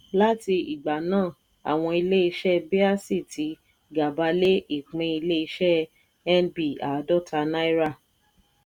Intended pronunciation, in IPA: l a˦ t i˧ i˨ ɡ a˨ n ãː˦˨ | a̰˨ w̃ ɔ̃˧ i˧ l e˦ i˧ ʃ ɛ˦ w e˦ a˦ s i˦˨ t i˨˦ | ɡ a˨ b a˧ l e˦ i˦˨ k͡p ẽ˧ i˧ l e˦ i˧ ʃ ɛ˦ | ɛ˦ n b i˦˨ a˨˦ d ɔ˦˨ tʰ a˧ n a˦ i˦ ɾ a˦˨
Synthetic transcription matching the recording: l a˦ t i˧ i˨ ɡ͡b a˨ n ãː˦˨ | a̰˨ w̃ ɔ̃˧ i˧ l e˦ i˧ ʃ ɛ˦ b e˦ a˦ s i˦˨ t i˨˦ | ɡ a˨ b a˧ l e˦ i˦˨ k͡p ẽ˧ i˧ l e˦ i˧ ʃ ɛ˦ | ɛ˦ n b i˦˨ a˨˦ d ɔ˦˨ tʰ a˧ n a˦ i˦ ɾ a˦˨